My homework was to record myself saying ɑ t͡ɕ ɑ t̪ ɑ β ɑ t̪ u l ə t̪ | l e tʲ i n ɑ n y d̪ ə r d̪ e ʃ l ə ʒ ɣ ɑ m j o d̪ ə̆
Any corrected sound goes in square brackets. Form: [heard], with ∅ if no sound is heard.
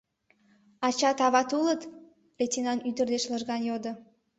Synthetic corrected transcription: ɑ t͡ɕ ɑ t̪ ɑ β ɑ t̪ u l ə t̪ | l e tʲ i n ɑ n y d̪ ə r d̪ e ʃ l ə ʒ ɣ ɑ [n] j o d̪ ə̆